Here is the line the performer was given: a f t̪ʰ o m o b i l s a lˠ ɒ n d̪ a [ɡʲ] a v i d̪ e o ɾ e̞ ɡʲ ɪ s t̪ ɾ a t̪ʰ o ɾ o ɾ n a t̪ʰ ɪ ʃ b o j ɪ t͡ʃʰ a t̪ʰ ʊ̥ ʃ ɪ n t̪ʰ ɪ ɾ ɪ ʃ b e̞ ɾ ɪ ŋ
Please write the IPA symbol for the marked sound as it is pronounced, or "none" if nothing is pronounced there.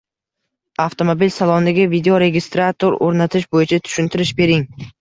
ɡʲ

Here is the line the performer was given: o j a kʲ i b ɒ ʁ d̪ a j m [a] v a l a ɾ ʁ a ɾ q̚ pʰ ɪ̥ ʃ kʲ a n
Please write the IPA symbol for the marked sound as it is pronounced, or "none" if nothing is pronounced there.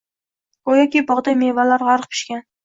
e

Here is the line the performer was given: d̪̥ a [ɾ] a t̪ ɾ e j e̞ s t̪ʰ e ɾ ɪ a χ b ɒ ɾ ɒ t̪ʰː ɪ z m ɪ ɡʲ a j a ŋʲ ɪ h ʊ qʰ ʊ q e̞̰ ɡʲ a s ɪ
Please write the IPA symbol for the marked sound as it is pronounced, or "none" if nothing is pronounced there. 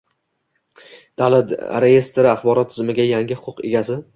l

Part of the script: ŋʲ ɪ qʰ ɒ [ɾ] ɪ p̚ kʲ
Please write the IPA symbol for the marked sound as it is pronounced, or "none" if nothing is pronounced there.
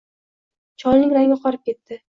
ɾ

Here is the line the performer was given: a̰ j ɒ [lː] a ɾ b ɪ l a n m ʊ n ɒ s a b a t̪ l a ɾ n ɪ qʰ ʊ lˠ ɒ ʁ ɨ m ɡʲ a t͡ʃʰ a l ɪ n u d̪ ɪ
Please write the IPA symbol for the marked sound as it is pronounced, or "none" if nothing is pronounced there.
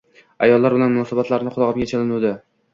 lː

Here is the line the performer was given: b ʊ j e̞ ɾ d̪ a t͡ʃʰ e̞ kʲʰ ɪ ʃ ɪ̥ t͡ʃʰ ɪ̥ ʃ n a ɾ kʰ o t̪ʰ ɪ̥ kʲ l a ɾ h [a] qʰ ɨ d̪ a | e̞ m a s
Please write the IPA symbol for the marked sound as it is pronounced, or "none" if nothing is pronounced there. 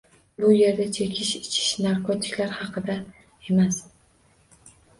ɑ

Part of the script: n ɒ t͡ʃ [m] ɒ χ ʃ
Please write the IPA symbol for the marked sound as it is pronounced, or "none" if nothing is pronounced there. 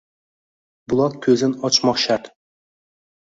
m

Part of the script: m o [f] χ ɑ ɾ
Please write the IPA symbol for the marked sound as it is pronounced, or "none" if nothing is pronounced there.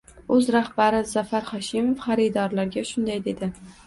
f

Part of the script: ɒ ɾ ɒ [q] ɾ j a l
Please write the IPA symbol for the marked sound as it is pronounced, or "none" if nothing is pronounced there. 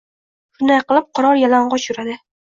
none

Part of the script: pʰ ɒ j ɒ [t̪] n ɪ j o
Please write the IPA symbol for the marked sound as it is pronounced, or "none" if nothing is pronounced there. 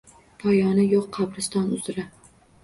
none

